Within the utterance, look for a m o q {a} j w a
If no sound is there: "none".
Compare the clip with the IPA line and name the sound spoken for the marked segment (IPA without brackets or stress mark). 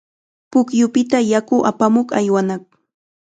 a